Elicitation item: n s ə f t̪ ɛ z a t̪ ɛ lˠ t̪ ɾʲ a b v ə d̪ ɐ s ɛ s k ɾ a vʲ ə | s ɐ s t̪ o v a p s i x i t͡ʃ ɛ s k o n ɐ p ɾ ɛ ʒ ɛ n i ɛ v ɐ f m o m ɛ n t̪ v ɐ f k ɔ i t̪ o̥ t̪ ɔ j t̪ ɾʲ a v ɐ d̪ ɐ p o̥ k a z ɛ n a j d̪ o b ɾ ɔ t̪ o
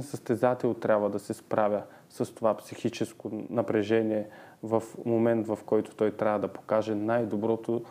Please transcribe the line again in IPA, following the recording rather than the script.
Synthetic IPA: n s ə s t̪ ɛ z a t̪ ɛ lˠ t̪ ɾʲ a b v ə d̪ ɐ s ɛ s p ɾ a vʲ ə | s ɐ s t̪ o v a p s i x i t͡ʃ ɛ s k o n ɐ p ɾ ɛ ʒ ɛ n i ɛ v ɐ f m o m ɛ n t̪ v ɐ f k ɔ j t̪ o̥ t̪ ɔ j t̪ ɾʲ a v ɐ d̪ ɐ p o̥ k a ʒ ɛ n a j d̪ o b ɾ ɔ t̪ o